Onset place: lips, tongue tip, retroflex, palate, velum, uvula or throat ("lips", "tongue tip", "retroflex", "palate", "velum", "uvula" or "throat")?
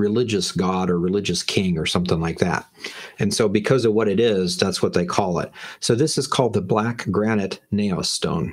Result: tongue tip